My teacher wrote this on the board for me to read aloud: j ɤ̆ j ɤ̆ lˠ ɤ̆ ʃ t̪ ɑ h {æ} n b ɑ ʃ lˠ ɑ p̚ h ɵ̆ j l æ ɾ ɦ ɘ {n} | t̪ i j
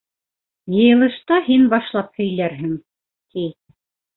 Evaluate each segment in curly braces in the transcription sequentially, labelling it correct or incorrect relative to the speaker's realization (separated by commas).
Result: incorrect, incorrect